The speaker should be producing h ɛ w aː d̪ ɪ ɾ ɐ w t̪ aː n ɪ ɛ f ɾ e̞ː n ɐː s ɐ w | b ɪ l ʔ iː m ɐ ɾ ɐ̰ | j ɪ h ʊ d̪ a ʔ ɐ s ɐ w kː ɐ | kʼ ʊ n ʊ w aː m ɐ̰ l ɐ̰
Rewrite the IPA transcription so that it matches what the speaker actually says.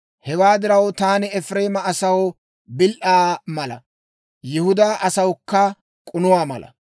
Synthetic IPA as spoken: h ɛ w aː d̪ ɪ ɾ ɐ w t̪ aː n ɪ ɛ f ɾ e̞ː m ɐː s ɐ w | b ɪ l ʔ aː m ɐ l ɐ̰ | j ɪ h ʊ d̪ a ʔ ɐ s ɐ w kː ɐ | kʼ ʊ n ʊ w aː m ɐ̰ l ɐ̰

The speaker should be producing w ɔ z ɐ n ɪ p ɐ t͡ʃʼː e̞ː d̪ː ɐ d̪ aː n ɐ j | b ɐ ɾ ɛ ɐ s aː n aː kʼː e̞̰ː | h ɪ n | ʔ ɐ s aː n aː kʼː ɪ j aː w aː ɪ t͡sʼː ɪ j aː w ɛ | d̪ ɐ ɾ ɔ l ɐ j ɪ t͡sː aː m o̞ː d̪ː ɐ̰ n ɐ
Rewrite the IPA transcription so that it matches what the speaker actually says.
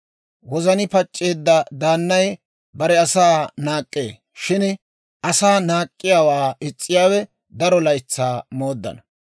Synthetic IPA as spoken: w ɔ z ɐ n ɪ p ɐ t͡ʃʼː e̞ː d̪ː ɐ d̪ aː nː ɐ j | b ɐ ɾ ɛ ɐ s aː n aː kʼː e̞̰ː | ʃ ɪ n | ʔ ɐ s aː n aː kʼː ɪ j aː w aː ɪ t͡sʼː ɪ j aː w ɛ | d̪ ɐ ɾ ɔ l ɐ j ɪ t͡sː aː m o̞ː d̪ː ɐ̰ n ɐ

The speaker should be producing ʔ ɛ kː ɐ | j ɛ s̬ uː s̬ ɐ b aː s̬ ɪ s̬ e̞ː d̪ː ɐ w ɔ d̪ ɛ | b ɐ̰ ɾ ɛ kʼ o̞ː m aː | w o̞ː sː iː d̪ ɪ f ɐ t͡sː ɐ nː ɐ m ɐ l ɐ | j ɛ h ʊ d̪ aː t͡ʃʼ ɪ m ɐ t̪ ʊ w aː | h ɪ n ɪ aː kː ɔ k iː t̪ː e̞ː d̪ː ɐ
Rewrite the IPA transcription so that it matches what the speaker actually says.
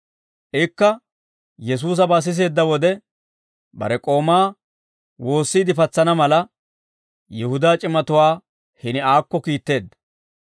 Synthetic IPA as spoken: ʔ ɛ kː ɐ | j ɛ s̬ uː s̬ ɐ b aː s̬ ɪ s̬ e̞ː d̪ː ɐ w ɔ d̪ ɛ | b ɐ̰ ɾ ɛ kʼ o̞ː m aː | w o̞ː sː iː d̪ ɪ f ɐ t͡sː ɐ n ɐ m ɐ l ɐ | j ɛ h ʊ d̪ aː t͡ʃʼ ɪ m ɐ t̪ ʊ w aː | h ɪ n ɪ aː kː ɔ k iː t̪ː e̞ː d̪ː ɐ

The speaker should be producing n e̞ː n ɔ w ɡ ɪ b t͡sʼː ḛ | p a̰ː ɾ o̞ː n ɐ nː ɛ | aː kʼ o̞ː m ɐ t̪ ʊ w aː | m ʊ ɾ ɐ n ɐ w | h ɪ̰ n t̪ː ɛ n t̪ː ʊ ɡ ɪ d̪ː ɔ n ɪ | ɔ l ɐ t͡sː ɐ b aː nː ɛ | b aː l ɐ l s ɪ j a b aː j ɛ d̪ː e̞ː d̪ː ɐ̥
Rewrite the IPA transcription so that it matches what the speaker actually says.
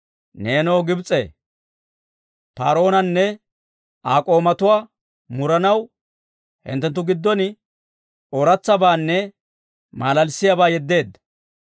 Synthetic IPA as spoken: n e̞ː n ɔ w ɡ ɪ b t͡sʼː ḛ | p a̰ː ɾ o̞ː n ɐ nː ɛ | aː kʼ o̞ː m ɐ t̪ ʊ w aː | m ʊ ɾ ɐ n ɐ w | h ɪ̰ n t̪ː ɛ n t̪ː ʊ ɡ ɪ d̪ː ɔ n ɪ | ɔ ɾ ɐ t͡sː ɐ b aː nː ɛ | m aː l ɐ l s ɪ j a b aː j ɛ d̪ː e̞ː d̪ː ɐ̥

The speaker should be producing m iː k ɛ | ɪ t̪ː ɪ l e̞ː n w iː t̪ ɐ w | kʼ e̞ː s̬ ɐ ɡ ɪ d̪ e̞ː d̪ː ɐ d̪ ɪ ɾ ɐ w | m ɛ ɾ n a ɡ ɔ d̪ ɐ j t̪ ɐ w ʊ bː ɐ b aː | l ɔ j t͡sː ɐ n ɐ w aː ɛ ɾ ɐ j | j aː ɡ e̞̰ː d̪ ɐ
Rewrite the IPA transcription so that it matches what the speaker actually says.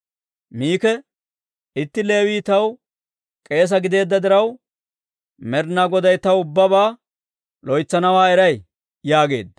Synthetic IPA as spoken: m iː k ɛ | ɪ t̪ː ɪ l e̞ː w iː t̪ ɐ w | kʼ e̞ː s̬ ɐ ɡ ɪ d̪ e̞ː d̪ː ɐ d̪ ɪ ɾ ɐ w | m ɛ ɾ n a ɡ ɔ d̪ ɐ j t̪ ɐ w ʊ bː ɐ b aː | l ɔ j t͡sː ɐ n ɐ w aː ɛ ɾ ɐ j | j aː ɡ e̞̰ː d̪ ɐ

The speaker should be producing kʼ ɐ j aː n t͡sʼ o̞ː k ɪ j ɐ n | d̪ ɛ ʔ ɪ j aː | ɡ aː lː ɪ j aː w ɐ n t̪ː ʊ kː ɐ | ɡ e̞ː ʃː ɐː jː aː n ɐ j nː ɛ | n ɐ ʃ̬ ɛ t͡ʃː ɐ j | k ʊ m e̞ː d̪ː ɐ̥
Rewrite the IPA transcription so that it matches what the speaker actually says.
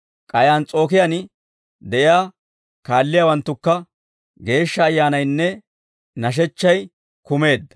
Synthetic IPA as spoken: kʼ ɐ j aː n t͡sʼ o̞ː k ɪ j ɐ n | d̪ ɛ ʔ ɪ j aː | k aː lː ɪ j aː w ɐ n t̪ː ʊ kː ɐ | ɡ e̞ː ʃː ɐː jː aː n ɐ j nː ɛ | n ɐ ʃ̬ ɛ t͡ʃː ɐ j | k ʊ m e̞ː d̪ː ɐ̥

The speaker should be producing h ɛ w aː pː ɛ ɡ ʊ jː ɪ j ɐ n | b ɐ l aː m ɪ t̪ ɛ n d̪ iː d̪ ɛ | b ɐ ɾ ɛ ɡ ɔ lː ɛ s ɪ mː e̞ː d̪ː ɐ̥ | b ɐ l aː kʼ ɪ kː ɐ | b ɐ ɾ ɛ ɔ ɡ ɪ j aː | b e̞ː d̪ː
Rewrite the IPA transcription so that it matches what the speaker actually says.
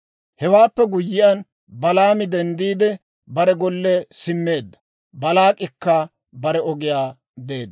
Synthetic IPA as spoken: h ɛ w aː pː ɛ ɡ ʊ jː ɪ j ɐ n | b ɐ l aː m ɪ d̪ ɛ n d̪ iː d̪ ɛ | b ɐ ɾ ɛ ɡ ɔ lː ɛ s ɪ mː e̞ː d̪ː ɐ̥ | b ɐ l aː kʼ ɪ kː ɐ | b ɐ ɾ ɛ ɔ ɡ ɪ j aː | b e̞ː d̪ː

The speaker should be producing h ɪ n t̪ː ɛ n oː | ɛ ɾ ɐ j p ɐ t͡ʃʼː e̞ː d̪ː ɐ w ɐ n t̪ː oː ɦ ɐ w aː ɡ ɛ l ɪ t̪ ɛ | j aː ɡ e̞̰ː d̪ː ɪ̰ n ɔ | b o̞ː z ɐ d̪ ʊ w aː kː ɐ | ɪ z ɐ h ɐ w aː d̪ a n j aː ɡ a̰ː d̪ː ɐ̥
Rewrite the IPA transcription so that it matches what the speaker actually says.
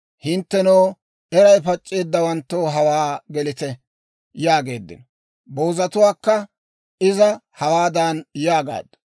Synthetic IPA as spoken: h ɪ n t̪ː ɛ n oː | ɛ ɾ ɐ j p ɐ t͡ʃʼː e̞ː d̪ː ɐ w ɐ n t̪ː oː ɦ ɐ w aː ɡ ɛ l ɪ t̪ ɛ | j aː ɡ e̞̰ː d̪ː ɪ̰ n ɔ | b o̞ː z ɐ t̪ ʊ w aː kː ɐ | ɪ z ɐ h ɐ w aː d̪ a n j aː ɡ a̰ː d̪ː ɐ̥

